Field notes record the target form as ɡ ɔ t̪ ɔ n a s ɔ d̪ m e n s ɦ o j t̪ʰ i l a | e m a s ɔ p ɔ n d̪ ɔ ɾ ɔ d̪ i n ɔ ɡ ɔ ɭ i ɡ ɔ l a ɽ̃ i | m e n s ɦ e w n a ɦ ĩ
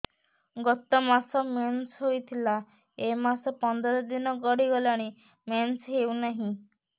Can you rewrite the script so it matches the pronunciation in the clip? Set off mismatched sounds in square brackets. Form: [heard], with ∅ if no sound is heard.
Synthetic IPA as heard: ɡ ɔ t̪ ɔ [m] a s ɔ [∅] m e n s ɦ o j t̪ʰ i l a | e m a s ɔ p ɔ n d̪ ɔ ɾ ɔ d̪ i n ɔ ɡ ɔ [ɽ] i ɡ ɔ l a ɽ̃ i | m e n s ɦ e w n a ɦ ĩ